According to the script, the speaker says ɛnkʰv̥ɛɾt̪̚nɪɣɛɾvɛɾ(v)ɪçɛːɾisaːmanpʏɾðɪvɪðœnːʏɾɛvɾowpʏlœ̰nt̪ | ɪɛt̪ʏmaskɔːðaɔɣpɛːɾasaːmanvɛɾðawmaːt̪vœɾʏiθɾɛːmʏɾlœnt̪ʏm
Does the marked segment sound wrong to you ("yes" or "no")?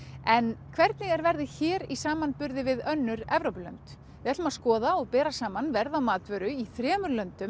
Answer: yes